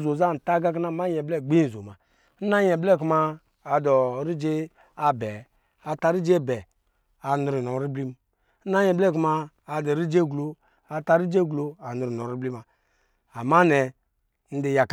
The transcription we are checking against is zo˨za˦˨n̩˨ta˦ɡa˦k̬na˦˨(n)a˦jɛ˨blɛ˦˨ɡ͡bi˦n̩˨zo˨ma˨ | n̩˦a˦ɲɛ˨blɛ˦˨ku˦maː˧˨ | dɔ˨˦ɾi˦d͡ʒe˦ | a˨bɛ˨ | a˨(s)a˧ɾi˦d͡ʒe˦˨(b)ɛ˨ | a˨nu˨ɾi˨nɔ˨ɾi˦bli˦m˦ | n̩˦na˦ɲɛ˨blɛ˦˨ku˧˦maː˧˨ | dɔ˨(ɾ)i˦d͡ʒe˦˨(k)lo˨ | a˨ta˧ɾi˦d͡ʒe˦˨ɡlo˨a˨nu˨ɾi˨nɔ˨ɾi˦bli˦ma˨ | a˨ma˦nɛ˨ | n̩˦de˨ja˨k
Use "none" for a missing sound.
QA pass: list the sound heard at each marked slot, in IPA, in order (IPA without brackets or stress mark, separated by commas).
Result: m, t, b, ɾ, ɡ